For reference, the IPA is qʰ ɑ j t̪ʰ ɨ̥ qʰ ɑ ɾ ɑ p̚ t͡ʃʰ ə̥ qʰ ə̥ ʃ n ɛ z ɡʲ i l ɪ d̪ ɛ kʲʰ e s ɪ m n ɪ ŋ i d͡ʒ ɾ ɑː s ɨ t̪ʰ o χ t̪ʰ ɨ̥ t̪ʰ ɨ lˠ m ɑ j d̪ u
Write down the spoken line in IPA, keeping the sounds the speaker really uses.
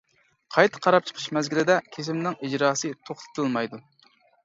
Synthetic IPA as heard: qʰ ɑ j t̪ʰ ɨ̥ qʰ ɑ ɾ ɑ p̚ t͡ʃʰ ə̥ qʰ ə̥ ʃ m ɛ z ɡʲ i l ɪ d̪ ɛ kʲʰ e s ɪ m n ɪ ŋ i d͡ʒ ɾ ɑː s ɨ t̪ʰ o χ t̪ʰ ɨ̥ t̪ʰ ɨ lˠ m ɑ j d̪ u